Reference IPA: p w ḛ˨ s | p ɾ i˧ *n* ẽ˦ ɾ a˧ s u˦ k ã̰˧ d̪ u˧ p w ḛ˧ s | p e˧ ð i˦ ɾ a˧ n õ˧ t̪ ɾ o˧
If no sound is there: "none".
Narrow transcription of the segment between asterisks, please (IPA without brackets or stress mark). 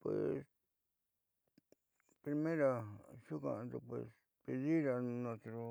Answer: m